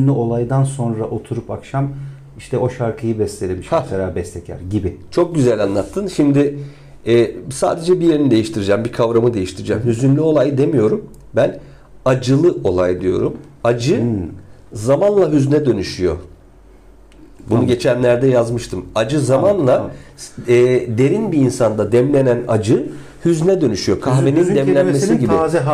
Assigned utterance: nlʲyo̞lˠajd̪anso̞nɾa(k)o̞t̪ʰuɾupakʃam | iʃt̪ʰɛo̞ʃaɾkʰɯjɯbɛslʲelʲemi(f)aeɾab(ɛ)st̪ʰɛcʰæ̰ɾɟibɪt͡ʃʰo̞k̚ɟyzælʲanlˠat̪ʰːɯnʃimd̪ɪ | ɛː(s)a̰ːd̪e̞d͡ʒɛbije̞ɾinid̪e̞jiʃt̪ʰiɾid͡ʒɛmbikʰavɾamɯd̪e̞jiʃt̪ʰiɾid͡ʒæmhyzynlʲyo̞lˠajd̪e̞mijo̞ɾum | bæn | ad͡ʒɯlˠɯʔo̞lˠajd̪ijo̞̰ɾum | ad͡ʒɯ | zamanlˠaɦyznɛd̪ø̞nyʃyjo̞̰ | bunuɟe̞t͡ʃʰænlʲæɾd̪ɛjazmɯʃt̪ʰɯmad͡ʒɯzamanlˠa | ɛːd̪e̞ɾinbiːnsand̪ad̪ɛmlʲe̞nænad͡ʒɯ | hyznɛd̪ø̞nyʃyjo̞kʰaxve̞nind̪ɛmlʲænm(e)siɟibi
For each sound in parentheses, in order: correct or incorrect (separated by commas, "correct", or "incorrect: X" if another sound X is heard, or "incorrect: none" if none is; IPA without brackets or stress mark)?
incorrect: ʔ, incorrect: ʃ, correct, correct, correct